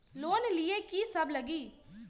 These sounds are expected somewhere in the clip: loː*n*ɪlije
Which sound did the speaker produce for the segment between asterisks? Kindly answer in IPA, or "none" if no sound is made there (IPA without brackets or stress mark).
n